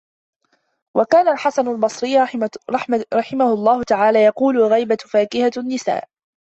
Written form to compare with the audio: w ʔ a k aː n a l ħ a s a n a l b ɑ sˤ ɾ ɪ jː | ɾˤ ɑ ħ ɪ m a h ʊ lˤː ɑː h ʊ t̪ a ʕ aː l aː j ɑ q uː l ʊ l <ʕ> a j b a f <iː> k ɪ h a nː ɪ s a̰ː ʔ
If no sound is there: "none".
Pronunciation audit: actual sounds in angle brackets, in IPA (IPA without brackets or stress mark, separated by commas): ɣ, aː